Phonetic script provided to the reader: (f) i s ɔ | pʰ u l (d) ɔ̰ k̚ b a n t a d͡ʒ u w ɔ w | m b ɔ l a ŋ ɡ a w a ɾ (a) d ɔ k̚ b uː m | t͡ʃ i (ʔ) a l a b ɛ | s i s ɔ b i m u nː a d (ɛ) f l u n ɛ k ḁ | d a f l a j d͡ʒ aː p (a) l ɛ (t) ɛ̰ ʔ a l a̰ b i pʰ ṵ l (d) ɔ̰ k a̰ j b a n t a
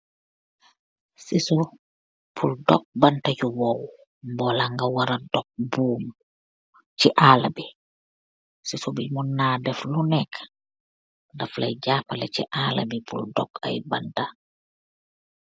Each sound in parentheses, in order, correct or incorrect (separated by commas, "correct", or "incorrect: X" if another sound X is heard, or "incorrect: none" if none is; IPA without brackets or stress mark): incorrect: s, correct, correct, correct, correct, correct, incorrect: t͡ʃ, correct